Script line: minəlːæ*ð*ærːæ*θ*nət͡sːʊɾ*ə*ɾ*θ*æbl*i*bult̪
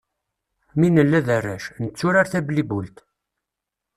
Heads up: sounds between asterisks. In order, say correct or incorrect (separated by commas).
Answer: correct, incorrect, incorrect, correct, correct